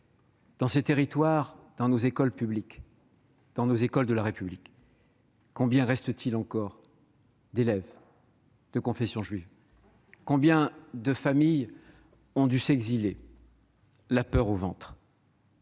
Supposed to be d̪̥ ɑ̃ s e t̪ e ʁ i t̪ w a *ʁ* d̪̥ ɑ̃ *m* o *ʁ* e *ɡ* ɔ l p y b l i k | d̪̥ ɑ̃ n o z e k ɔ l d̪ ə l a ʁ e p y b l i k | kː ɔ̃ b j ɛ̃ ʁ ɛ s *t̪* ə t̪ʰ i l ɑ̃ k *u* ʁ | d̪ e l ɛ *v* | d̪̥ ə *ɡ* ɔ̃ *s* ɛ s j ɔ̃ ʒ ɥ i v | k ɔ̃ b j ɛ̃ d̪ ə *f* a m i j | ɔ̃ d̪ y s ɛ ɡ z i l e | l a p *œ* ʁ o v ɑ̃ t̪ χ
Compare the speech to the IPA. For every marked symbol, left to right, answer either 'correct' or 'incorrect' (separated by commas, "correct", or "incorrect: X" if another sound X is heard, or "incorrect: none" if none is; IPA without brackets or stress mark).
correct, incorrect: n, incorrect: z, incorrect: k, correct, incorrect: ɔ, correct, incorrect: k, incorrect: f, correct, correct